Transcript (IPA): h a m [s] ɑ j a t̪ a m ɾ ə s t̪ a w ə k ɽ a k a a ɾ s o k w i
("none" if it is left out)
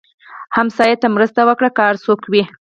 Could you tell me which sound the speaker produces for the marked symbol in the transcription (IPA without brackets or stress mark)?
s